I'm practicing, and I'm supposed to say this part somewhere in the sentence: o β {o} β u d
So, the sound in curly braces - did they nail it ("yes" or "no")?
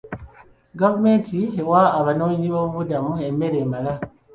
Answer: no